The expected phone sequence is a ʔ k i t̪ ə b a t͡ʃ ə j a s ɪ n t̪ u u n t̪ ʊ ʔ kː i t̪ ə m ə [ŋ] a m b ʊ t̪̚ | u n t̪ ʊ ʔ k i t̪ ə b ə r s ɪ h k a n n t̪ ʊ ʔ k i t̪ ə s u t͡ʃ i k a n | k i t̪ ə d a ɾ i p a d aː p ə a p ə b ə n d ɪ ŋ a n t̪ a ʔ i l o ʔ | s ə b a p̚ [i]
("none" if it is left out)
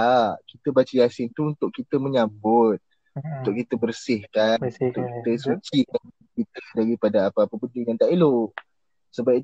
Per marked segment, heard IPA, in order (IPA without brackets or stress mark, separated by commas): ɲ, i